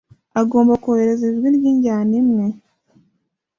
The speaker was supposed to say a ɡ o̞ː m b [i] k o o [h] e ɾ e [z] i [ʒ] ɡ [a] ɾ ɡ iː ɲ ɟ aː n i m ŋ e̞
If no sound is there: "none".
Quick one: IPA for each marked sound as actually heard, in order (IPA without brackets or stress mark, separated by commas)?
a, h, z, ʒ, i